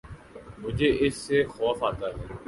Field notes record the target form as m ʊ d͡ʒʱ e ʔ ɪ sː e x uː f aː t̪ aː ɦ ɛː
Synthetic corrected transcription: m ʊ d͡ʒʱ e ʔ ɪ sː e x ɔː f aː t̪ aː ɦ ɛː